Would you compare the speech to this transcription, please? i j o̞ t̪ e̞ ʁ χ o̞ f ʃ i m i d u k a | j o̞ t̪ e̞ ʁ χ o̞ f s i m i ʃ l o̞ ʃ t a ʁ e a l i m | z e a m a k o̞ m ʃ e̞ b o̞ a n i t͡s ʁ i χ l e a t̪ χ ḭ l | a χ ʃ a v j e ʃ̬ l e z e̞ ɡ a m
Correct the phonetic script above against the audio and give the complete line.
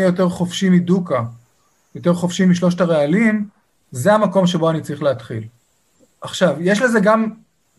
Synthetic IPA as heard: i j o̞ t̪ e̞ ʁ χ o̞ f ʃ i m i d u k a | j o̞ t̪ e̞ ʁ χ o̞ f ʃ i m i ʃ l o̞ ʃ t a ʁ e a l i m | z e a m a k o̞ m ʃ e̞ b o̞ a n i t͡s ʁ i χ l e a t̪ χ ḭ l | a χ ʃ a v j e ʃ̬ l e z e̞ ɡ a m